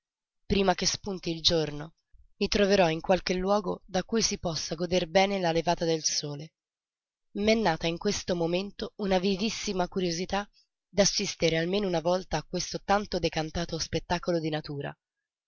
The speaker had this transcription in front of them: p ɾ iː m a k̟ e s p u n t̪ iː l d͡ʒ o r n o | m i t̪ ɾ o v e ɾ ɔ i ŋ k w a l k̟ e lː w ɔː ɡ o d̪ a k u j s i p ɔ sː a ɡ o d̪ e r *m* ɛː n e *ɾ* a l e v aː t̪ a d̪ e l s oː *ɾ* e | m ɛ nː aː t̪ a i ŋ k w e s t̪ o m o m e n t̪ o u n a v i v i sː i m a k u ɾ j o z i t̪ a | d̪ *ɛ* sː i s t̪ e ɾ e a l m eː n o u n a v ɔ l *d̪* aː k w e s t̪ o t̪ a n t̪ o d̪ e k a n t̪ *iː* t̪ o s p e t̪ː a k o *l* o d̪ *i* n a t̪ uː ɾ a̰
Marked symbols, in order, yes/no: no, no, no, no, no, no, yes, yes

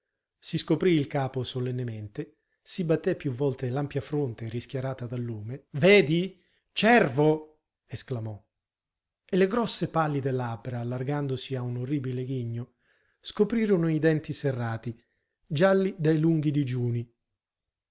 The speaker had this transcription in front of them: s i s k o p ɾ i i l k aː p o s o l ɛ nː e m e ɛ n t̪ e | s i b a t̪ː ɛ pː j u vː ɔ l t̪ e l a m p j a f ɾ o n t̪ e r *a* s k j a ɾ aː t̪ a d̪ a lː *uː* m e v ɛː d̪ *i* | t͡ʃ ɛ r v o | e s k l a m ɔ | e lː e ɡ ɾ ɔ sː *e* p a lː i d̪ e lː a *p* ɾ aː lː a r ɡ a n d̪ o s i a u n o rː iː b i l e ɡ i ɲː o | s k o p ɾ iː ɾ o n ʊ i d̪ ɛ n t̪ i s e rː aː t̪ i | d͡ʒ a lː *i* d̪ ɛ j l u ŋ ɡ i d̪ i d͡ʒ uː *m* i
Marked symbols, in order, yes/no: no, yes, yes, yes, no, yes, no

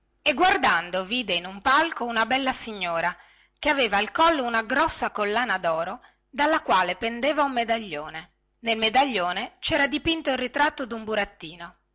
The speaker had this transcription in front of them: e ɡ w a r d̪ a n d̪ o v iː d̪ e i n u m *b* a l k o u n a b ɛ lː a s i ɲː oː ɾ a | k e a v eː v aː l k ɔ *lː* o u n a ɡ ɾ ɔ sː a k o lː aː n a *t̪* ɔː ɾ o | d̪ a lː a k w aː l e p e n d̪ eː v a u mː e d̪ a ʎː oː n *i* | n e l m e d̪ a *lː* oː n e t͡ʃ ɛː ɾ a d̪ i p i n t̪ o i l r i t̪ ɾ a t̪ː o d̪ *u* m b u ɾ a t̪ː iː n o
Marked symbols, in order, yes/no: no, yes, no, no, no, yes

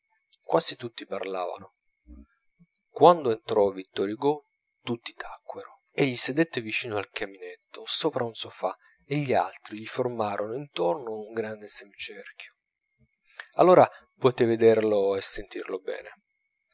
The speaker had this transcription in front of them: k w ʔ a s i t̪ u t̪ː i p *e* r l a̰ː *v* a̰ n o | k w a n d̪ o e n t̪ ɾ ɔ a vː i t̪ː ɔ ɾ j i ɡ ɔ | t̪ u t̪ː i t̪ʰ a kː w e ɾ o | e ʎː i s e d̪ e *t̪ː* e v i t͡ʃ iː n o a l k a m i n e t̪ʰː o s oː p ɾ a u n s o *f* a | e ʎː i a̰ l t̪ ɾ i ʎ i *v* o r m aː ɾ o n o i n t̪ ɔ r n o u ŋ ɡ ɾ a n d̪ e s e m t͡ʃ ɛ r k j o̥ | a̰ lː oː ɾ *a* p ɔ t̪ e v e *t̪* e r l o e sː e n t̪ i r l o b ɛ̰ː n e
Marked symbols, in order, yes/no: no, yes, yes, yes, no, yes, no

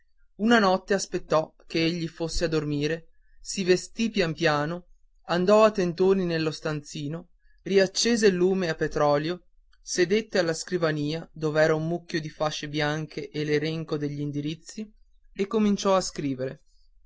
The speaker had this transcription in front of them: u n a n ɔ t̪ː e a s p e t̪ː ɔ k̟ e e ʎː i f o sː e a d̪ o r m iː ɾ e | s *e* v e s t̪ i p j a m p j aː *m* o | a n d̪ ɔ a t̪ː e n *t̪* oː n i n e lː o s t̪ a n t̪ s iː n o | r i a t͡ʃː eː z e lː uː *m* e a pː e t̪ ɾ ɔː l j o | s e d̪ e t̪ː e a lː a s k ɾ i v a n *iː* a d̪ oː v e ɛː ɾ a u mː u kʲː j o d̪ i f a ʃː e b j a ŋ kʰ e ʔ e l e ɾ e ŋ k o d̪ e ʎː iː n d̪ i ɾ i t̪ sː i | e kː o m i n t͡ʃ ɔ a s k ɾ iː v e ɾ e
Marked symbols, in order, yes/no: no, no, yes, yes, yes

